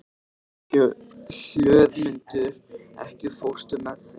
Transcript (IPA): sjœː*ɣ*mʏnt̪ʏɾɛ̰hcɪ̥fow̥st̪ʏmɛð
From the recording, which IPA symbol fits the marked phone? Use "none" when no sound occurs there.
ð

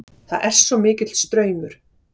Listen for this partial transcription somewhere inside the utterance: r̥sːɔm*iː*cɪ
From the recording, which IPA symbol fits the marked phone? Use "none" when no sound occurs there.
ɪː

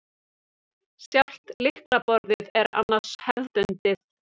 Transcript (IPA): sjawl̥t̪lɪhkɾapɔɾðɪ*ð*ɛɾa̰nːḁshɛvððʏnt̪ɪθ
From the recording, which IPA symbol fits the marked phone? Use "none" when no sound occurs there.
ð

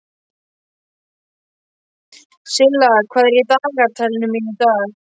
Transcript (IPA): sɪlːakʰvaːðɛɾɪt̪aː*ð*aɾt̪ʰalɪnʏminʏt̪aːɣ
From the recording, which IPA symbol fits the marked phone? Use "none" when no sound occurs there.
ɣ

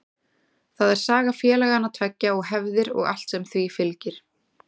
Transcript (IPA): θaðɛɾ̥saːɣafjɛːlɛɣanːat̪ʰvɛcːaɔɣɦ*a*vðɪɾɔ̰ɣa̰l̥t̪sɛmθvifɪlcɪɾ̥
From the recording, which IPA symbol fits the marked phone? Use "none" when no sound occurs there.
ɛ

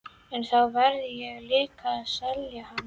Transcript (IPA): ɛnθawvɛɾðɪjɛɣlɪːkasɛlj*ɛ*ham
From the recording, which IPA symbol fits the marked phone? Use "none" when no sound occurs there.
a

